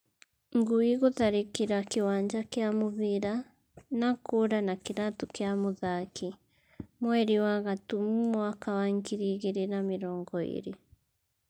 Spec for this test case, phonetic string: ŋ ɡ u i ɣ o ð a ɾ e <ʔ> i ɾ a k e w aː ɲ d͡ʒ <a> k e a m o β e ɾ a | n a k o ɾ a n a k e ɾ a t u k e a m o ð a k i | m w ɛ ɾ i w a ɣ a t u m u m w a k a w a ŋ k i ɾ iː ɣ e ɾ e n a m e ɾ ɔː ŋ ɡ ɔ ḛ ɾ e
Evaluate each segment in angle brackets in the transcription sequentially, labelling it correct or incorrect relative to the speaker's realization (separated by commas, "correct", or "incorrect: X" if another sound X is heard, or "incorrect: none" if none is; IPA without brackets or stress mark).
incorrect: k, correct